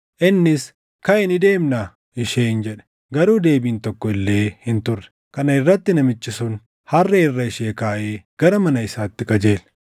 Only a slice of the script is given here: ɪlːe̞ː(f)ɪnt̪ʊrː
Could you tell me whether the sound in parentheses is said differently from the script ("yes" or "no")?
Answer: yes